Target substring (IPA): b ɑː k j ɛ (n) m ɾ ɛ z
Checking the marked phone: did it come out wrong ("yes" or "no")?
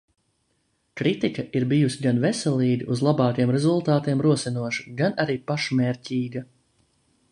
yes